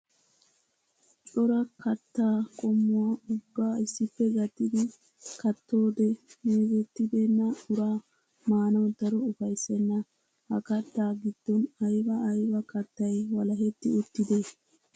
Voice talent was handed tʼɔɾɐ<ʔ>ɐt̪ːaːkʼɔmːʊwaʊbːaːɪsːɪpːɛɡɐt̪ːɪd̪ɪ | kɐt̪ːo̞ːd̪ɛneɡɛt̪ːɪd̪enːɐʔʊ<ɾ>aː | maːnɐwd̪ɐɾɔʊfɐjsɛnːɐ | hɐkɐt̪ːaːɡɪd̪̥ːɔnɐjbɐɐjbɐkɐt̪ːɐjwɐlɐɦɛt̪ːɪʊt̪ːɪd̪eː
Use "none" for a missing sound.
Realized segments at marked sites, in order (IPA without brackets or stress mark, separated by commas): k, ɾ